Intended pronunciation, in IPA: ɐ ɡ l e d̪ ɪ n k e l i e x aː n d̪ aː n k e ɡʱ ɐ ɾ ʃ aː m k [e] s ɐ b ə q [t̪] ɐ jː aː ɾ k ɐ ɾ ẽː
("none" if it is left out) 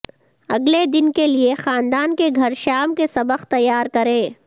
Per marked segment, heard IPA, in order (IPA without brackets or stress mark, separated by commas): e, t̪